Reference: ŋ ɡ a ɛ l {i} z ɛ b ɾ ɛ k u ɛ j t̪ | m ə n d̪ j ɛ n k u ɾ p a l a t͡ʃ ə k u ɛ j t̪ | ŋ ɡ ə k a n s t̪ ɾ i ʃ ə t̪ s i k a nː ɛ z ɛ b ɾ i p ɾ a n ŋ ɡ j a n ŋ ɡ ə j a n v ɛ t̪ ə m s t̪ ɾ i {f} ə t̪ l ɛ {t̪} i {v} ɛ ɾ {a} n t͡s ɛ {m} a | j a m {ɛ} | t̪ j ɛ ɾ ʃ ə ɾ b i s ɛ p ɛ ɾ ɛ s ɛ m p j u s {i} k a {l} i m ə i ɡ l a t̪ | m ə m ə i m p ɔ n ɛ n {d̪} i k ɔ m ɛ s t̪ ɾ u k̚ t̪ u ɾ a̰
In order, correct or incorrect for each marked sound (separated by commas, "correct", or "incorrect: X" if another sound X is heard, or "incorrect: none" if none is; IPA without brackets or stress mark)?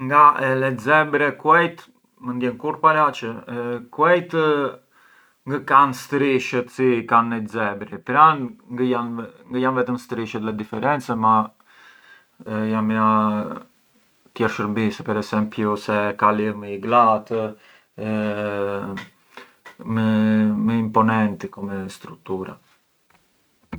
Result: incorrect: ɛ, incorrect: ʃ, incorrect: d̪, incorrect: f, incorrect: ɛ, correct, incorrect: a, incorrect: ɛ, correct, incorrect: t̪